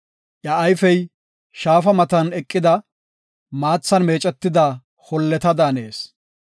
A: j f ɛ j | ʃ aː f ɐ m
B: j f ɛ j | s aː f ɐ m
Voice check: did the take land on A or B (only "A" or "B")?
A